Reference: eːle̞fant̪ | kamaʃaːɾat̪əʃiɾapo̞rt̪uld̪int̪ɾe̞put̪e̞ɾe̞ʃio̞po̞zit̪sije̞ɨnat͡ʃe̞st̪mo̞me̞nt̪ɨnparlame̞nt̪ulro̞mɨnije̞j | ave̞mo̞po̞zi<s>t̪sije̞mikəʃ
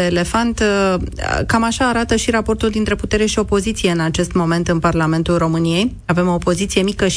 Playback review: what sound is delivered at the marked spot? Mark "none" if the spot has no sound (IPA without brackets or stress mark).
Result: none